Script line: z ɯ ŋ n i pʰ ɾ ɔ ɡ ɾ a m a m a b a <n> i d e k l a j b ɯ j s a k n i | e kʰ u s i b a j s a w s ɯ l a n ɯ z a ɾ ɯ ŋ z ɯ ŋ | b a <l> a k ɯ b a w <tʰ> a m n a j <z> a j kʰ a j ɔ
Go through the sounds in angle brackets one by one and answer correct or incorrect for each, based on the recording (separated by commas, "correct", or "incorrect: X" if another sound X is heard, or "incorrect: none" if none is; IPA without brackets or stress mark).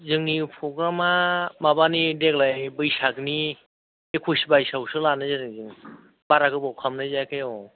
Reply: correct, incorrect: ɾ, incorrect: kʰ, correct